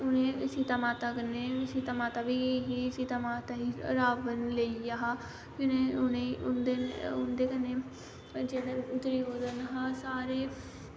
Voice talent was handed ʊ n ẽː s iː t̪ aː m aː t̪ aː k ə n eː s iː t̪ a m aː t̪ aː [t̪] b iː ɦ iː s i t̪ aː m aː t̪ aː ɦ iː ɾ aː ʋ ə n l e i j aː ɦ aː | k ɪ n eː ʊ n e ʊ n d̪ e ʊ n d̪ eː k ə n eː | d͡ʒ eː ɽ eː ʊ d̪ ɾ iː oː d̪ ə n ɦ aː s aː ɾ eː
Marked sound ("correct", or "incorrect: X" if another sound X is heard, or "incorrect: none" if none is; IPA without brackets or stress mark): incorrect: none